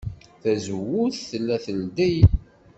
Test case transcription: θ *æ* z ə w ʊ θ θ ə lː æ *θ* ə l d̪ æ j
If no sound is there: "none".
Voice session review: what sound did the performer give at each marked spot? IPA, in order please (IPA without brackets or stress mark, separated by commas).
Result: æ, θ